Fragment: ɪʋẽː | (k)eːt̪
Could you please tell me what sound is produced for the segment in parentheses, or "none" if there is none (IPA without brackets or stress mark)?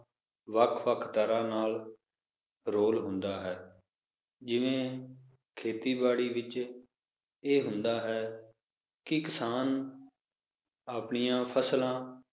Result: kʰ